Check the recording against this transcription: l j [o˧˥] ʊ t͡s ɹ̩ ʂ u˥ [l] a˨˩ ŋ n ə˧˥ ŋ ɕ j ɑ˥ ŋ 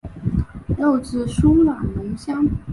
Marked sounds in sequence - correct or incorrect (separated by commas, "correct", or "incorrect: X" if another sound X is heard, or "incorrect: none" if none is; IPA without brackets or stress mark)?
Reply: incorrect: o˥˧, correct